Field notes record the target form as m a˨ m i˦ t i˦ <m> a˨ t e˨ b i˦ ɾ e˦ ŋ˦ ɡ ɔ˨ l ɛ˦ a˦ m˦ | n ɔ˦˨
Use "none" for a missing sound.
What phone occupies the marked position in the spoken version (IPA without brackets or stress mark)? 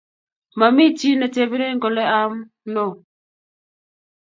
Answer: n